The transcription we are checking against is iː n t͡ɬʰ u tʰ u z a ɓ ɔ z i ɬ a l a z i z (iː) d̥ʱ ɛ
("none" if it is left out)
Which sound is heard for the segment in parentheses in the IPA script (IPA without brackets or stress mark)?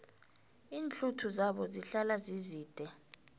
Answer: iː